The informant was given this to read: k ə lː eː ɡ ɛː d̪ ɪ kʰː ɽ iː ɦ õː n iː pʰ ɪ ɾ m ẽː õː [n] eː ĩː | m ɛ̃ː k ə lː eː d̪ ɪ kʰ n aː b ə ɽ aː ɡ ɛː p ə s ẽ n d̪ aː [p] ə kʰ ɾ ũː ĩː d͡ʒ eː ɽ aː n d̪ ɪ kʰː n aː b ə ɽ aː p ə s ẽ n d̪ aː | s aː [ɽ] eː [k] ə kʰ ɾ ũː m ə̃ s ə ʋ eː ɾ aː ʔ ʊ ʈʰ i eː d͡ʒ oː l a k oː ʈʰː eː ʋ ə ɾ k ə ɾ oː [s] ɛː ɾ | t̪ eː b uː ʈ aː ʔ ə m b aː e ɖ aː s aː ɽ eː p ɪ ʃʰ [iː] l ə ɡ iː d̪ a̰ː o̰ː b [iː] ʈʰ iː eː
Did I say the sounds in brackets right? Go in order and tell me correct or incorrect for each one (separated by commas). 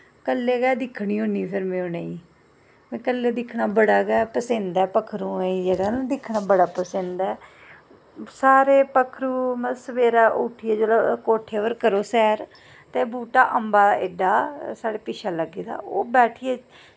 correct, correct, incorrect, incorrect, correct, incorrect, incorrect